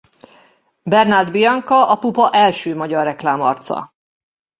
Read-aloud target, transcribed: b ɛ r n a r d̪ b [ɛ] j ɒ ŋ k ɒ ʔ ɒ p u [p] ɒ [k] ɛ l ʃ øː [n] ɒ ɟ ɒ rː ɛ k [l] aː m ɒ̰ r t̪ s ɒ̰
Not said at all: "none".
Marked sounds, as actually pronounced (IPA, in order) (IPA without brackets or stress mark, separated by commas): i, p, ʔ, m, l